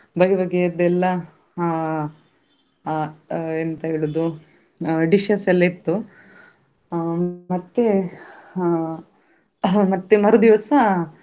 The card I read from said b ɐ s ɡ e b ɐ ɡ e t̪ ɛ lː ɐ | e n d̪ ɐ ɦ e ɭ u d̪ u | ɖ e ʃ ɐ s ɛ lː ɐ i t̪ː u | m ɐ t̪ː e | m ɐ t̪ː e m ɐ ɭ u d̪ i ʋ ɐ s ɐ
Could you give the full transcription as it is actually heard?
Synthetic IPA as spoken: b ɐ ɡ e b ɐ ɡ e d̪ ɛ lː ɐ | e n t̪ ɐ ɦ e ɭ u d̪ u | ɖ i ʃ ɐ s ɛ lː ɐ i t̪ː u | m ɐ t̪ː e | m ɐ t̪ː e m ɐ ɾ u d̪ i ʋ ɐ s ɐ